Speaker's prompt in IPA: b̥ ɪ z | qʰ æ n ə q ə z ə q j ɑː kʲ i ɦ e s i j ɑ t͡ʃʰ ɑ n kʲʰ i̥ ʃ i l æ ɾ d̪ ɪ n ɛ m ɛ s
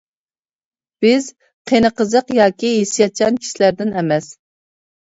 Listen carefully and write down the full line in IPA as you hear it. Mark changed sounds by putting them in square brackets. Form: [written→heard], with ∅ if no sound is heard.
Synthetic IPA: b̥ ɪ z | qʰ [æ→e] n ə q ə z ə q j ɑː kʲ i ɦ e s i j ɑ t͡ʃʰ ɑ n kʲʰ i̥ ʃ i l æ ɾ d̪ ɪ n ɛ m ɛ s